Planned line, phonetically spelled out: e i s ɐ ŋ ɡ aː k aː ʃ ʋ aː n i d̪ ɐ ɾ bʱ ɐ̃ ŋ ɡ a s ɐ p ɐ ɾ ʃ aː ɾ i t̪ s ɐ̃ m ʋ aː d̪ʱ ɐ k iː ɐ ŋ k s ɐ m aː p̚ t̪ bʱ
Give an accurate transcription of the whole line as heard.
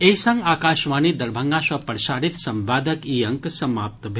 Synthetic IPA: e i s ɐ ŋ ɡ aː k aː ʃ ʋ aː n i d̪ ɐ ɾ bʱ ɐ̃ ŋ ɡ a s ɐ p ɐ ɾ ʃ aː ɾ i t̪ s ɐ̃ m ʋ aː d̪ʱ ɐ k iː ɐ ŋ k s ɐ m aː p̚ t̪ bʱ